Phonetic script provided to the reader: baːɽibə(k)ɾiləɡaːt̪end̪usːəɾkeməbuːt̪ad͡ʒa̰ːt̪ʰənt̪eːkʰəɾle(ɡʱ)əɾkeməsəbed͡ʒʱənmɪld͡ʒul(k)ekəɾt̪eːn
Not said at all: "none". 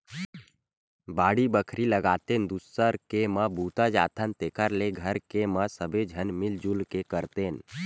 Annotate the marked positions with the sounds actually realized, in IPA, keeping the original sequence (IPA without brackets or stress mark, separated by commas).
kʰ, ɡʱ, k